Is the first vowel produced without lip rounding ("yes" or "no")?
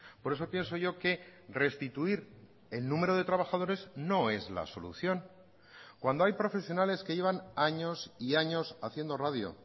no